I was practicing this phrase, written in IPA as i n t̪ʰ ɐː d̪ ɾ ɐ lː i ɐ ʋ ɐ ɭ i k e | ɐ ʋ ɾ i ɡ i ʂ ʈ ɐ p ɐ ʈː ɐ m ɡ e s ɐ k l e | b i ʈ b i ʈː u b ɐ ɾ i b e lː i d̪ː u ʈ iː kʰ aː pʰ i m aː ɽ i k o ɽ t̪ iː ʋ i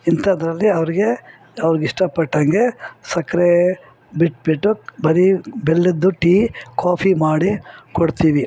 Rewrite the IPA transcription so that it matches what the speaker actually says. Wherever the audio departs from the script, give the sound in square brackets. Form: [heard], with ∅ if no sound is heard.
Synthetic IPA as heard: i n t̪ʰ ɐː d̪ ɾ ɐ lː i ɐ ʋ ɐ [ɾ] i [ɡ] e | ɐ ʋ ɾ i ɡ i ʂ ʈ ɐ p ɐ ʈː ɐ [ŋ] ɡ e s ɐ k [ɾ] e | b i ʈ b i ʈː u b ɐ ɾ i b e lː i d̪ː u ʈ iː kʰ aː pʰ i m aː ɽ i k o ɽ t̪ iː ʋ i